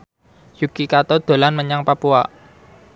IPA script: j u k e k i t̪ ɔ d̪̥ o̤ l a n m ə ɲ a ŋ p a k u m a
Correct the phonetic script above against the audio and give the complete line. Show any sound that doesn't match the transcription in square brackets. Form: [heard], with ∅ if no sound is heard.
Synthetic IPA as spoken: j u k [i] k [a] t̪ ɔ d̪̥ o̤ l a n m ə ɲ a ŋ p a [p] u [∅] a